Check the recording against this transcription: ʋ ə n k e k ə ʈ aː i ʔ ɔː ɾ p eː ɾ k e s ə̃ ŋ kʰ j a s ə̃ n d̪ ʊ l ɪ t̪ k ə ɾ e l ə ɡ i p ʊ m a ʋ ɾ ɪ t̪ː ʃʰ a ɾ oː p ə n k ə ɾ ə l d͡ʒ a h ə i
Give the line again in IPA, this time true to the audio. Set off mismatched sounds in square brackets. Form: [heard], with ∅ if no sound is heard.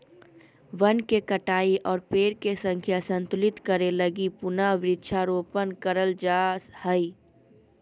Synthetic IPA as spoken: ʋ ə n k e k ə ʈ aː i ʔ ɔː ɾ p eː ɾ k e s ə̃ ŋ kʰ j a s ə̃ n [t̪] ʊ l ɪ t̪ k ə ɾ e l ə ɡ i p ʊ [n] a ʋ ɾ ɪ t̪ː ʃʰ a ɾ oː p ə n k ə ɾ ə l d͡ʒ a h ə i